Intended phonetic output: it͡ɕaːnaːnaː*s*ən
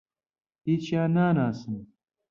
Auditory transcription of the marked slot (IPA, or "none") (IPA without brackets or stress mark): s